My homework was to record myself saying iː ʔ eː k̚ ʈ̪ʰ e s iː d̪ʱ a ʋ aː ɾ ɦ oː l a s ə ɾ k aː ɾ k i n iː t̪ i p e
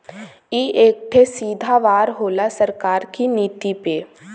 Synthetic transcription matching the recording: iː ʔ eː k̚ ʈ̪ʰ e s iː d̪ʱ a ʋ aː ɾ ɦ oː l a s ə ɾ k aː ɾ k i n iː t̪ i p e